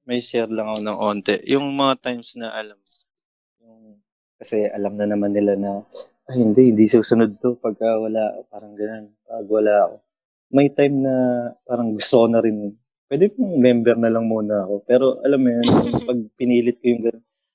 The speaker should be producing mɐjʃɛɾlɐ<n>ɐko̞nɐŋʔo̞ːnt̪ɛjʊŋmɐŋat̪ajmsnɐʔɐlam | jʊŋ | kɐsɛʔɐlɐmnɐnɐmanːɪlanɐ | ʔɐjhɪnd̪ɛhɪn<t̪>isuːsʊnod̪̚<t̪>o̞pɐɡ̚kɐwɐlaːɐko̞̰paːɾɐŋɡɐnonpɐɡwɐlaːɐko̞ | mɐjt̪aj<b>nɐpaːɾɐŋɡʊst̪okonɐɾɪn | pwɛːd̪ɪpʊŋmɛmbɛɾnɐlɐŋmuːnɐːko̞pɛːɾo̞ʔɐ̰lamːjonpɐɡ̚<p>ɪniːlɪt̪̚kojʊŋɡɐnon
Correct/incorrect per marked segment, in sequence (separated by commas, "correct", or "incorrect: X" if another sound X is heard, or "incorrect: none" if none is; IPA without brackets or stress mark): incorrect: ŋ, incorrect: d̪, correct, incorrect: m, correct